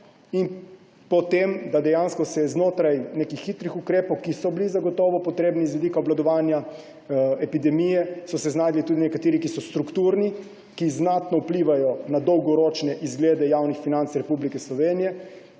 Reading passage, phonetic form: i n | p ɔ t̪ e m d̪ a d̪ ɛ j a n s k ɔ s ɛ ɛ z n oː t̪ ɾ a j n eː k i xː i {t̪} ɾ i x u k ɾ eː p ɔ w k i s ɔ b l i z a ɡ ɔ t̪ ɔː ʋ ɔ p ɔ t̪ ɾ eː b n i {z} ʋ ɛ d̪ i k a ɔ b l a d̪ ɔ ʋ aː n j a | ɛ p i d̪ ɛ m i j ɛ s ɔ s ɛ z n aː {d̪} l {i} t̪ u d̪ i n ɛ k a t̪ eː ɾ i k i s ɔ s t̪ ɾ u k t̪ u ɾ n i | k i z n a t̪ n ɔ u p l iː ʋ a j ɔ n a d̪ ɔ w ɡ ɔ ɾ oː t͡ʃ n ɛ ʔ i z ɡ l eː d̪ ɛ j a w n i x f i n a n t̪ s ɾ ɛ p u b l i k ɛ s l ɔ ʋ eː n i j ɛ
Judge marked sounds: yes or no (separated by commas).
yes, yes, yes, yes